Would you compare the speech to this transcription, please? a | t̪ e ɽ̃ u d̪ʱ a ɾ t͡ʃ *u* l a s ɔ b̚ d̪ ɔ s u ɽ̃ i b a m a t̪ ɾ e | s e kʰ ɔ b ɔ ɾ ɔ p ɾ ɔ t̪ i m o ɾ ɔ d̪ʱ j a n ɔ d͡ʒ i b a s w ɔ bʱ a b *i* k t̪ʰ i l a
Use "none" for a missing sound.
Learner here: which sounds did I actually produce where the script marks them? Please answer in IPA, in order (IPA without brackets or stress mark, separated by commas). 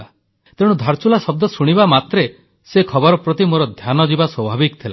u, i